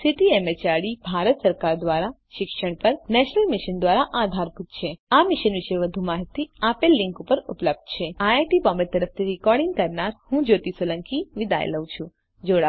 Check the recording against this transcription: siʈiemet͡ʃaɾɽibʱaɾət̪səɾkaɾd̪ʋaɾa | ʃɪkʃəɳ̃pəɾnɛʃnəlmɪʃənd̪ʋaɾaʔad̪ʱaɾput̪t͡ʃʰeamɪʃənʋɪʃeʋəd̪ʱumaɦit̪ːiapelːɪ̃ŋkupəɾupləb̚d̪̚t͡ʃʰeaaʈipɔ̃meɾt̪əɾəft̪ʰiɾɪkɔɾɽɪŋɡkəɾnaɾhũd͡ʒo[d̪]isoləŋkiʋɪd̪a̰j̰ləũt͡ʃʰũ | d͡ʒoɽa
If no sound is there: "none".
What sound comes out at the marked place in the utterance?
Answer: t̪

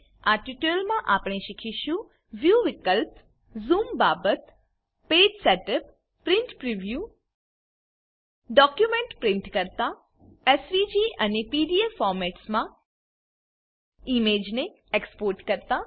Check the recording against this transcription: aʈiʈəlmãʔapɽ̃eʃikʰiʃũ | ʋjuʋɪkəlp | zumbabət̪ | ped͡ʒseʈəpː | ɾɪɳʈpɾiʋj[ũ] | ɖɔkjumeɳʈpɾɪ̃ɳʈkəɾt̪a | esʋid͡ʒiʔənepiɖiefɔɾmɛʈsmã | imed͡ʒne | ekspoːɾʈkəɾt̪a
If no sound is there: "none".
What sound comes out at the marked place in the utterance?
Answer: u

